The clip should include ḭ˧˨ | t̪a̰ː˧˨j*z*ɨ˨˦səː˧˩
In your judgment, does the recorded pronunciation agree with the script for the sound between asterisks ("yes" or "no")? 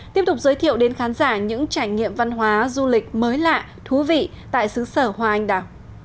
no